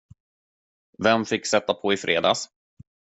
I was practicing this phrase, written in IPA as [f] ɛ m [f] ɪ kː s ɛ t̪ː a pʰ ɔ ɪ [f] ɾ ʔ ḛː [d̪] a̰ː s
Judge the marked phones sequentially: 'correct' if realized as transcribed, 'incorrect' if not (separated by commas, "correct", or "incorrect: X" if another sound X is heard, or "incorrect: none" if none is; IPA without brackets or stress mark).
incorrect: v, correct, correct, correct